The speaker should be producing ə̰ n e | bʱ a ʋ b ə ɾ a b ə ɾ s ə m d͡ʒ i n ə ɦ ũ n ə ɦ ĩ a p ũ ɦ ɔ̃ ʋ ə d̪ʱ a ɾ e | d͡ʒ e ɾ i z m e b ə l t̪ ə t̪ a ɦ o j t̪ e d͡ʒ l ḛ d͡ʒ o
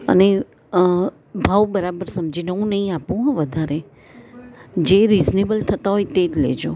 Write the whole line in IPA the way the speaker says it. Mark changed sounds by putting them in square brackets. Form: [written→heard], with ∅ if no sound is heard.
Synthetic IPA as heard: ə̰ n e | bʱ a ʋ b ə ɾ a b ə ɾ s ə m d͡ʒ i n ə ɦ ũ n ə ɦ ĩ a p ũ ɦ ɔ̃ ʋ ə d̪ʱ a ɾ e | d͡ʒ e ɾ i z [m→n] e b ə l [t̪→t̪ʰ] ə t̪ a ɦ o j t̪ e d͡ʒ l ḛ d͡ʒ o